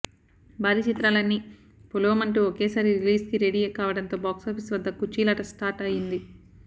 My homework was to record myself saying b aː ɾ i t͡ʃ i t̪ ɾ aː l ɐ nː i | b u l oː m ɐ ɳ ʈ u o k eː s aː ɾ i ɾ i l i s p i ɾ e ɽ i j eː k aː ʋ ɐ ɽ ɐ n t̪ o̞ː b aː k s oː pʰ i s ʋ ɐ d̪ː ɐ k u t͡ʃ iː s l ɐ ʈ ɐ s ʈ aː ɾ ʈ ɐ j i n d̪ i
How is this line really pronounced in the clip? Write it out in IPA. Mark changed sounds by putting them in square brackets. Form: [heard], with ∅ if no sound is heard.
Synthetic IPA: b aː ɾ i t͡ʃ i t̪ ɾ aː l ɐ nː i | [p] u l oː m ɐ ɳ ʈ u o k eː s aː ɾ i ɾ i l [iː] s [k] i ɾ e ɽ i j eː k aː ʋ ɐ ɽ ɐ n t̪ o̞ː b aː k s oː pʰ i s ʋ ɐ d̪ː ɐ k u t͡ʃ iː [∅] l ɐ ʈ ɐ s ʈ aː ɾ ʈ ɐ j i n d̪ i